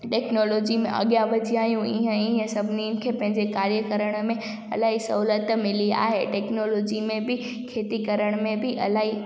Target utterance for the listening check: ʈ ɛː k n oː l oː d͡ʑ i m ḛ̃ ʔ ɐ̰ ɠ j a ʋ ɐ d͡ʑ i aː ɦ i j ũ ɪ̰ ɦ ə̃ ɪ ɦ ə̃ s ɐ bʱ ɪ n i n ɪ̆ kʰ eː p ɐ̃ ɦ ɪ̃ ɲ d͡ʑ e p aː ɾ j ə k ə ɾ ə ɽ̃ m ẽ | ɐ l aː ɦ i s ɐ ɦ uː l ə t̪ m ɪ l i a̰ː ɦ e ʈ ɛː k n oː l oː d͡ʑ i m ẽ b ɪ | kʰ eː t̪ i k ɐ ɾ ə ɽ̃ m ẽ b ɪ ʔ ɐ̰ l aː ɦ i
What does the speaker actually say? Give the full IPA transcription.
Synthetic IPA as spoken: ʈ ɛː k n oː l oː d͡ʑ i m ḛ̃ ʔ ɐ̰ ɠ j a ʋ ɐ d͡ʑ i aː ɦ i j ũ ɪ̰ ɦ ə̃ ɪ ɦ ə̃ s ɐ bʱ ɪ n i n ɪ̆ kʰ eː p ɐ̃ ɦ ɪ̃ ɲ d͡ʑ e k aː ɾ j ə k ə ɾ ə ɽ̃ m ẽ | ɐ l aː ɦ i s ɐ ɦ uː l ə t̪ m ɪ l i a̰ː ɦ e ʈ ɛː k n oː l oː d͡ʑ i m ẽ b ɪ | kʰ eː t̪ i k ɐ ɾ ə ɽ̃ m ẽ b ɪ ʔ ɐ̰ l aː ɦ i